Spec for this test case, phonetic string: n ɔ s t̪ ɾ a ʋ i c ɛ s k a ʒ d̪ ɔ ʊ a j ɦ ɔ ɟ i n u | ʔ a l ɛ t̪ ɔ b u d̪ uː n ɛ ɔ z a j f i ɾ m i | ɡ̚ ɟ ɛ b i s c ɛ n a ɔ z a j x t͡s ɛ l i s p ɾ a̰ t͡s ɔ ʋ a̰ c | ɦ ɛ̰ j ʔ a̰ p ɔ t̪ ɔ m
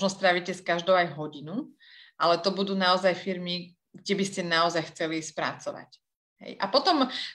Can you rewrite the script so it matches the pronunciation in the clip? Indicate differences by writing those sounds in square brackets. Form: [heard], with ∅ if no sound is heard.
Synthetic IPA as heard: n ɔ s t̪ ɾ a ʋ i c ɛ s k a ʒ d̪ ɔ ʊ a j ɦ ɔ ɟ i n u | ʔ a l ɛ t̪ ɔ b u d̪ uː n [a] ɔ z a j f i ɾ m i | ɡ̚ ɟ ɛ b i s c ɛ n a ɔ z a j x t͡s ɛ l i s p ɾ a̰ t͡s ɔ ʋ a̰ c | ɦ ɛ̰ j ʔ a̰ p ɔ t̪ ɔ m